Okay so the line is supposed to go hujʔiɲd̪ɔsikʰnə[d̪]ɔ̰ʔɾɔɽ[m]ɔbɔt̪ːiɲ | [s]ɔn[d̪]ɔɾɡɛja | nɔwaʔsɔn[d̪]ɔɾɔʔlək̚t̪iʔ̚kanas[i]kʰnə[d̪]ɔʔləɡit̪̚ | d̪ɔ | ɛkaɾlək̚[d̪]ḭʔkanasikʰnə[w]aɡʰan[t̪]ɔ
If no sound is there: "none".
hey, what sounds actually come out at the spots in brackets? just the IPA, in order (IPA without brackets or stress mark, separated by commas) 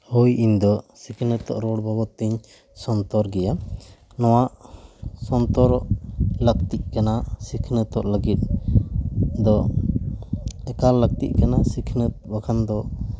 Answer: t̪, b, s, t̪, t̪, i, t̪, t̪, b, d̪